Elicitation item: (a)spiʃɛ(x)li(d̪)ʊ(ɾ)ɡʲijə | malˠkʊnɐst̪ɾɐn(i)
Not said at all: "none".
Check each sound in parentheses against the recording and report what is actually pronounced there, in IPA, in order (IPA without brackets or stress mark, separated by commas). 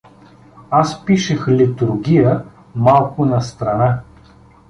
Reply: a, x, t̪, ɾ, a